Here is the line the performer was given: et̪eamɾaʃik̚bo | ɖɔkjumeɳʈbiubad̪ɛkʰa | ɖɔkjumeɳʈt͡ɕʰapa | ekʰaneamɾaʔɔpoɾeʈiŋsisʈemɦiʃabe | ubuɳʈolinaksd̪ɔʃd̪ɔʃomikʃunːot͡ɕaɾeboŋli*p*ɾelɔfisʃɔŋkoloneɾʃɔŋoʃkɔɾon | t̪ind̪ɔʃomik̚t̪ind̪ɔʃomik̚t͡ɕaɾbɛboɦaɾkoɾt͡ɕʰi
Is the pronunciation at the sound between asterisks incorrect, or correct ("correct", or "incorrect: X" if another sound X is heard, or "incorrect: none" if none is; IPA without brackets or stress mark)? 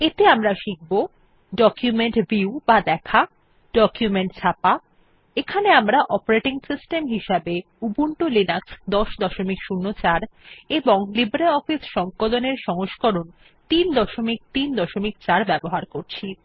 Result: incorrect: b